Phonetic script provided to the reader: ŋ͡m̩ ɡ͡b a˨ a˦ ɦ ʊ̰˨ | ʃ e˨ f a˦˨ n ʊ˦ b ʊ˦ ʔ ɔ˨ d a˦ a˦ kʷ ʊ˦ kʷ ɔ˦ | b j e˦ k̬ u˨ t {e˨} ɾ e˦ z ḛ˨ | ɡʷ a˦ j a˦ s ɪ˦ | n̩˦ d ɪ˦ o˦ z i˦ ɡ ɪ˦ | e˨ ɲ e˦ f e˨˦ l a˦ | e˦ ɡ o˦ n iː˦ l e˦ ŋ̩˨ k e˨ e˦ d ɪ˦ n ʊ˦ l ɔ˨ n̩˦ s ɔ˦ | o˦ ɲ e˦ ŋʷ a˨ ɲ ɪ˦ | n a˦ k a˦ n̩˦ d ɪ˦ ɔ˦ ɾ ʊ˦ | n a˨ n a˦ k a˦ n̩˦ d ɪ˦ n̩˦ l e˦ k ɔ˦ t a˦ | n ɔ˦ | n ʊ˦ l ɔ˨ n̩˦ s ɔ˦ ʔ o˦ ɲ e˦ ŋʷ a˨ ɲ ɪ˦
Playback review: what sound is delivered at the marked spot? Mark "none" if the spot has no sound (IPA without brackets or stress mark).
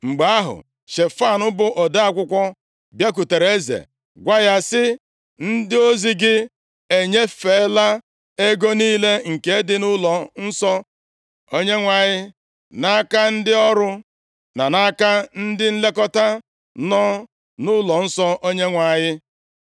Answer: e˨